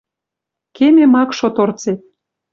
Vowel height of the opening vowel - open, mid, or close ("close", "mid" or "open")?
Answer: mid